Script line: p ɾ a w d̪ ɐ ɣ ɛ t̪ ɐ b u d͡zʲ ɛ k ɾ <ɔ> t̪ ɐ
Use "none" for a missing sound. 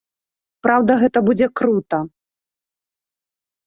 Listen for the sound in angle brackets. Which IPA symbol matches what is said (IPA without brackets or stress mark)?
u